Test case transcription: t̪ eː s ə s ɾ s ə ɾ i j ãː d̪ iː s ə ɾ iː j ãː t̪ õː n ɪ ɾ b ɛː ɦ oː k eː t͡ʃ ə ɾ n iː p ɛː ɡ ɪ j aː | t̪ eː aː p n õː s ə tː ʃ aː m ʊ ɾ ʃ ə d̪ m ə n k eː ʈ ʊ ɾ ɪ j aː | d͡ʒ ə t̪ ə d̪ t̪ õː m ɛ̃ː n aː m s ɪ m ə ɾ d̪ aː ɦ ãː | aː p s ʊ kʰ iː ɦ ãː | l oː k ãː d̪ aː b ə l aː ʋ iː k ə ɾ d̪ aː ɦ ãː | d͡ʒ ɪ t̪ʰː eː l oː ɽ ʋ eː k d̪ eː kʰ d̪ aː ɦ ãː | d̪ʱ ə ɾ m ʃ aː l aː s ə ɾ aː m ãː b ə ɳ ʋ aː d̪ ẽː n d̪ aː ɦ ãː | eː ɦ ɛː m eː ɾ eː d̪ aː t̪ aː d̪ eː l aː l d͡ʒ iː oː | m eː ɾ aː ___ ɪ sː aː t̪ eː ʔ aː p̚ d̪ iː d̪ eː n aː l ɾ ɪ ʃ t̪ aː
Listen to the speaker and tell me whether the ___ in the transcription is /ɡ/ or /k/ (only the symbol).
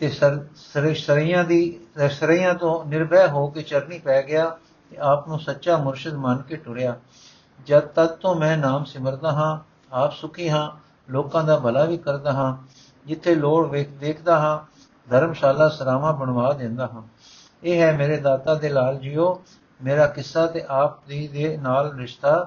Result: k